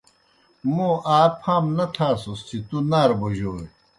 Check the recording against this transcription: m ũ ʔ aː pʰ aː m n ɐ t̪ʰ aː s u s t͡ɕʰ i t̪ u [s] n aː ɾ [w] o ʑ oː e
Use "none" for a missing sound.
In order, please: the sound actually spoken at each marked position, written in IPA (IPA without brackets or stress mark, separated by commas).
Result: none, b